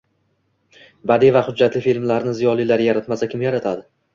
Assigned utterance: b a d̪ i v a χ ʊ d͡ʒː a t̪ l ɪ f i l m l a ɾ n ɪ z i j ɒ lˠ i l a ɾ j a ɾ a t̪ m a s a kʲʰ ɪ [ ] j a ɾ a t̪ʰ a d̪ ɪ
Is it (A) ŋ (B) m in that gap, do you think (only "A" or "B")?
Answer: B